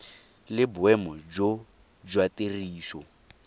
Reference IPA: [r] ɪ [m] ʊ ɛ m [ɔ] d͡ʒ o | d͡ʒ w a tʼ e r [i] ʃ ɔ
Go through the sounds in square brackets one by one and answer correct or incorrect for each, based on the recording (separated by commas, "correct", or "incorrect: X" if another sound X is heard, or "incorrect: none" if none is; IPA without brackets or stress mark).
incorrect: l, incorrect: b, correct, incorrect: iː